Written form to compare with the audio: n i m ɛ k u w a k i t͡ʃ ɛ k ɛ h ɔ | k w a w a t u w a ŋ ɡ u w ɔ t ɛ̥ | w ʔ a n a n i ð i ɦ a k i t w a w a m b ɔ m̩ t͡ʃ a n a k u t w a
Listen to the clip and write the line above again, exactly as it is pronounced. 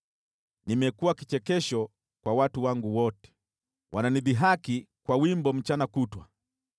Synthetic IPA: n i m ɛ k u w a k i t͡ʃ ɛ k ɛ ʃ ɔ | k w a w a t u w a ŋ ɡ u w ɔ t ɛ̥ | w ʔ a n a n i ð i ɦ a k i k w a w i m b ɔ m̩ t͡ʃ a n a k u t w a